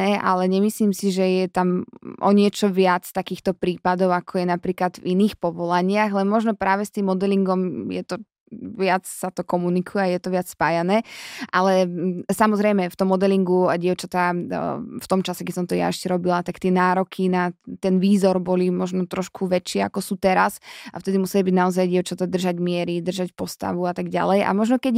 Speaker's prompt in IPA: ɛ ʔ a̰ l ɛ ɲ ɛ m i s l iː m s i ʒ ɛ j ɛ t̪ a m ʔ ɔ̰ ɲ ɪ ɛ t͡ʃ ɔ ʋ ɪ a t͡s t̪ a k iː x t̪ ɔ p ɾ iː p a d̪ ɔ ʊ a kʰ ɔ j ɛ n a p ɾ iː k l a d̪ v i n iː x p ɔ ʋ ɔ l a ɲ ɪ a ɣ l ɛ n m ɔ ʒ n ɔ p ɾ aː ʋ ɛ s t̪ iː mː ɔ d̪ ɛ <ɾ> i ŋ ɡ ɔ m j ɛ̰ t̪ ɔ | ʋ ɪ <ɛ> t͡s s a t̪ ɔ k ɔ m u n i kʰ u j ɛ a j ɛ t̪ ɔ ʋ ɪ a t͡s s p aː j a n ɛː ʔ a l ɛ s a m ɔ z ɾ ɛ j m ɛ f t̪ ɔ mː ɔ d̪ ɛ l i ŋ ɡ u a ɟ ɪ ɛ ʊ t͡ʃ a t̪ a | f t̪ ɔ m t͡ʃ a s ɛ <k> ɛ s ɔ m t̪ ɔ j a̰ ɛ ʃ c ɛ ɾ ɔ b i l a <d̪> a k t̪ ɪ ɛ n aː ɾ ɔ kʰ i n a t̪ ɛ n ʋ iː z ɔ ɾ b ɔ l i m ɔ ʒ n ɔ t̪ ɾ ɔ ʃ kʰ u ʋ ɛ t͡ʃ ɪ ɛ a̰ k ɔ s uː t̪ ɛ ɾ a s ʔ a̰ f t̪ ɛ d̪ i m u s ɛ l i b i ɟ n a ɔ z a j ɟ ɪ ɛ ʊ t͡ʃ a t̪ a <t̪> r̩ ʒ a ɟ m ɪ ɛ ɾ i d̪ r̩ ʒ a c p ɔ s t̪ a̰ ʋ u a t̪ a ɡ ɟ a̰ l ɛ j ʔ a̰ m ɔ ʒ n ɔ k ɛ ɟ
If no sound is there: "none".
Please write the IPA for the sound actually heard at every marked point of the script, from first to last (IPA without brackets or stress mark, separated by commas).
l, a, k, t̪, d̪